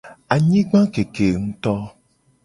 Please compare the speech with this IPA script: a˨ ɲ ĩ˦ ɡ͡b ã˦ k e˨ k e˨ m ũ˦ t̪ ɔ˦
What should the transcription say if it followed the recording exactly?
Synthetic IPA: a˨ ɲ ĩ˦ ɡ͡b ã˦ k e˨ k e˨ ŋ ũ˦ t̪ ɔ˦